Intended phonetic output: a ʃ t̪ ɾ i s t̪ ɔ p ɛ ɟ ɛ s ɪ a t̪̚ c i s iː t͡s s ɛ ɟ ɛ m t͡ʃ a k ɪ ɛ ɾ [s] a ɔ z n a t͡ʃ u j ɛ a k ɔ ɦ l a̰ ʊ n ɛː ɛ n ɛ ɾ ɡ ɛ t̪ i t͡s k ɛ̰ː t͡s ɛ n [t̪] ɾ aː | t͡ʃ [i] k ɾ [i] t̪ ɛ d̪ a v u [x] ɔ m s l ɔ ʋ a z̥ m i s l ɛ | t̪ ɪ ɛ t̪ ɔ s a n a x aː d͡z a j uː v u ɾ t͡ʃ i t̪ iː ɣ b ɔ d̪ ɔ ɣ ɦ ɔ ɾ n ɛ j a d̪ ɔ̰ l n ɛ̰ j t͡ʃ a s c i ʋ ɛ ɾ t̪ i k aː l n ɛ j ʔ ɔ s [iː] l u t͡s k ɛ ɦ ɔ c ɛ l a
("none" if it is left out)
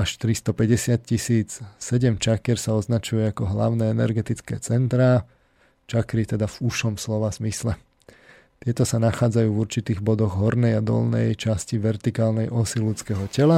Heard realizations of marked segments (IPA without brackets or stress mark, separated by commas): s, t̪, a, i, ʃ, i